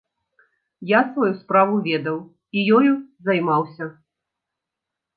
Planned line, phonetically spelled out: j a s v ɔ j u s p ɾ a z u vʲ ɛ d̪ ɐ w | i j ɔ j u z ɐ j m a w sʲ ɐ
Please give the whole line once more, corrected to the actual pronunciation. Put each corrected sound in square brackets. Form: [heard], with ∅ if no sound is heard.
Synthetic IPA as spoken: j a s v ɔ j u s p ɾ a [v] u vʲ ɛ d̪ ɐ w | i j ɔ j u z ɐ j m a w sʲ ɐ